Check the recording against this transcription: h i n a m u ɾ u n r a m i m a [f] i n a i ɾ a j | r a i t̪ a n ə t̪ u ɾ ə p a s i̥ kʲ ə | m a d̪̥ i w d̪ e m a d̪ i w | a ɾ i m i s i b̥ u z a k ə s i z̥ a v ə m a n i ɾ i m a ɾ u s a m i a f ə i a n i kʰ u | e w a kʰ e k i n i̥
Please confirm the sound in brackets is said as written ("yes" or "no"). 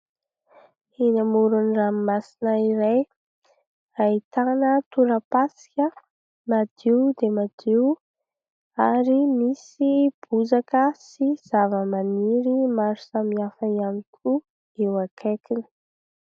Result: no